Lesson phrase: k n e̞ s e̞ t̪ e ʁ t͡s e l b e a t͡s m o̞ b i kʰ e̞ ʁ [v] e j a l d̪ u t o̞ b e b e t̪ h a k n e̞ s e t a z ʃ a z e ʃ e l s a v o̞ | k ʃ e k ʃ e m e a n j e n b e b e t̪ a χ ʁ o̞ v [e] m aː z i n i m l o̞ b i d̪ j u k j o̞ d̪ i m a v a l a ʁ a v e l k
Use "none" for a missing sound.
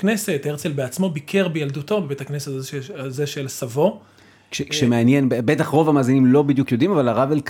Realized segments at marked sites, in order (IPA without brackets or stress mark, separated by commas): b, a